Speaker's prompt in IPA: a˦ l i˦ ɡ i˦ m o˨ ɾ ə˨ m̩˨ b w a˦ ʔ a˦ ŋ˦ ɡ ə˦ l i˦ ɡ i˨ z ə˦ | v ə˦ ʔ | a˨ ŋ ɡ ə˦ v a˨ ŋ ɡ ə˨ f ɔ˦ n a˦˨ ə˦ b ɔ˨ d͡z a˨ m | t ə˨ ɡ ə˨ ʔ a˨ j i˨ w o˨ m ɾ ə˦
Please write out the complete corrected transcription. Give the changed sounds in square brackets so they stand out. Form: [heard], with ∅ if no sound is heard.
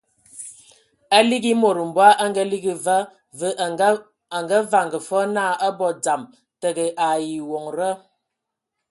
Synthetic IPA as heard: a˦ l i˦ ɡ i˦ m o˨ ɾ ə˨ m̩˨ b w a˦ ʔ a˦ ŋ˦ ɡ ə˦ l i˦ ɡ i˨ [v] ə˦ | v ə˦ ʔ | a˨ ŋ ɡ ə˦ v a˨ ŋ ɡ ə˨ f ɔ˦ n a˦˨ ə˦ b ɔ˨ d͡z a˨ m | t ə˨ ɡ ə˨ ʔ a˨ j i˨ w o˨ [ŋ] ɾ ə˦